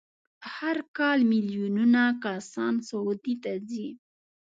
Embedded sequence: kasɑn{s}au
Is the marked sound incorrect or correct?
correct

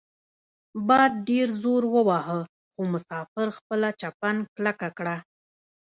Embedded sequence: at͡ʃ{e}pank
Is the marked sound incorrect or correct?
incorrect: a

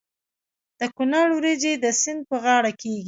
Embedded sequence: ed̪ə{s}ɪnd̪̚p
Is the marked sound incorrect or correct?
correct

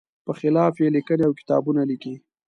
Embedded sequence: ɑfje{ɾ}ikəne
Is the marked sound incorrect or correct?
incorrect: l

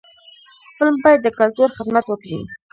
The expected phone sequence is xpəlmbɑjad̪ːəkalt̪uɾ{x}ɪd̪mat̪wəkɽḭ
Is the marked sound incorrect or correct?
correct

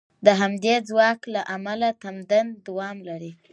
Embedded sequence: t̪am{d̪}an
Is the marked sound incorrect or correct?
correct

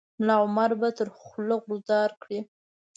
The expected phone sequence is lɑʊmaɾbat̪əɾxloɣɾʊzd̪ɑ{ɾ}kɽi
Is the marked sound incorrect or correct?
correct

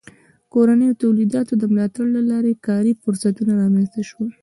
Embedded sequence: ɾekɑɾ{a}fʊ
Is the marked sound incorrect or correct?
incorrect: i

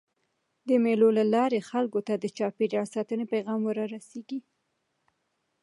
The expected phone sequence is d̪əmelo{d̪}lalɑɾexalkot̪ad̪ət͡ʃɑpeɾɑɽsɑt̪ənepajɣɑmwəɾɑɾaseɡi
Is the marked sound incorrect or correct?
incorrect: none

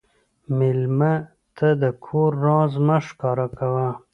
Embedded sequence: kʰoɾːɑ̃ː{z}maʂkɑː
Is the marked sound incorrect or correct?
correct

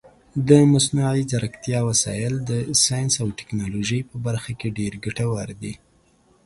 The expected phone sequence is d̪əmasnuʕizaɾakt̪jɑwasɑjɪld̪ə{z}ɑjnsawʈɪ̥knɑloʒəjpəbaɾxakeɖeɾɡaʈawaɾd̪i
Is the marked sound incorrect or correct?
incorrect: s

